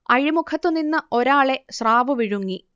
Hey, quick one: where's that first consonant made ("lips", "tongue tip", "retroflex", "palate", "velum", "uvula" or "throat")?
retroflex